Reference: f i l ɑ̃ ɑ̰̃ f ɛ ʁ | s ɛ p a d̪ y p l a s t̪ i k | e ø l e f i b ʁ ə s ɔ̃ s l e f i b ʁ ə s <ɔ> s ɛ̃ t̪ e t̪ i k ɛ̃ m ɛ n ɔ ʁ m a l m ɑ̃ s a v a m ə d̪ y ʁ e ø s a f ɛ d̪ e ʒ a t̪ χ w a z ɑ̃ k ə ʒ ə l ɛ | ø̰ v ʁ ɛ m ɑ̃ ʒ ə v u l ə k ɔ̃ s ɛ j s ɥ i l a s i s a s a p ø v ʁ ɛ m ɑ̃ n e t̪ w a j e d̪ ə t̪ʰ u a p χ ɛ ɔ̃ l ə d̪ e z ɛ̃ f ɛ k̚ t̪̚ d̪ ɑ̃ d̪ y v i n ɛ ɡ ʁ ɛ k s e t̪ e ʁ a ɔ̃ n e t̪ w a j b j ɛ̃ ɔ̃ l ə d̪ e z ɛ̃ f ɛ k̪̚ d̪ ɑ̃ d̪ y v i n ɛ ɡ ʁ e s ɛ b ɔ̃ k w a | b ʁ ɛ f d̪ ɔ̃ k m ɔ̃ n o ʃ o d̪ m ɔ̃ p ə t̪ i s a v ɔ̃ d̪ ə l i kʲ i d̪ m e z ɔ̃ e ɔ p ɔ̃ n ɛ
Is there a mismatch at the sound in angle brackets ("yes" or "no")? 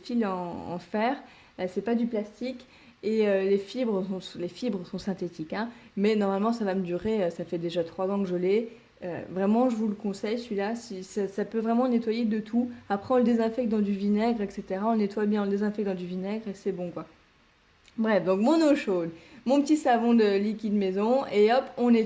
yes